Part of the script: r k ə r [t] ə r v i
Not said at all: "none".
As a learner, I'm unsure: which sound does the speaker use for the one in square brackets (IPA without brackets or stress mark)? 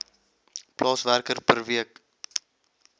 p